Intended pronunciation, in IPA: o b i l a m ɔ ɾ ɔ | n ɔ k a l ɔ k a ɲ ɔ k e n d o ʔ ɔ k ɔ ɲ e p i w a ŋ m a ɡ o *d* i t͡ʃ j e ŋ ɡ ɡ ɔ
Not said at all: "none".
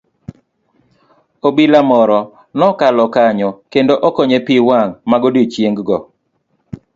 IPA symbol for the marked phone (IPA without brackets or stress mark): d